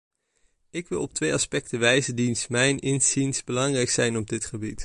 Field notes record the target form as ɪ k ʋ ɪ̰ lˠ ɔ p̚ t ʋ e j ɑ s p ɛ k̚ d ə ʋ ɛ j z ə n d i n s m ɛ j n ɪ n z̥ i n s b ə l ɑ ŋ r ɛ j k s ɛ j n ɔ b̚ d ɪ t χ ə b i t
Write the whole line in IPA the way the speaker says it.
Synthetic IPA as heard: ɪ k ʋ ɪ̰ lˠ ɔ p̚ t ʋ e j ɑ s p ɛ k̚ t ə ʋ ɛ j z ə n d i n s m ɛ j n ɪ n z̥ i n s b ə l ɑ ŋ r ɛ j k s ɛ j n ɔ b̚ d ɪ t χ ə b i t